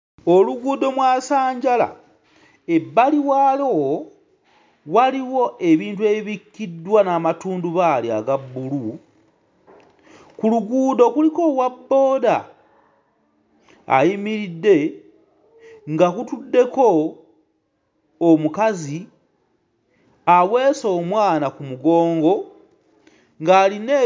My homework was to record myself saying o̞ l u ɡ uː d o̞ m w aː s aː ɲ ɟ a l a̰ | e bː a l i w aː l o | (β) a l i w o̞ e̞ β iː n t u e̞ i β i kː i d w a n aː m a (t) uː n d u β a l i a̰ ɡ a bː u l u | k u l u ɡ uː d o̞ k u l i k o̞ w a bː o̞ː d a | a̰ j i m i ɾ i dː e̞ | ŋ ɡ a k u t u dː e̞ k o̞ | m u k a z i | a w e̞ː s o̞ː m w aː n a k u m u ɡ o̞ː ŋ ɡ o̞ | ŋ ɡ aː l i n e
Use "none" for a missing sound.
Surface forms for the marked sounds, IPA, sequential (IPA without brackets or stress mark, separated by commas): w, t